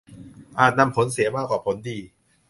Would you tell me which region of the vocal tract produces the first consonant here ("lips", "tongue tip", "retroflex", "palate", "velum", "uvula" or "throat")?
throat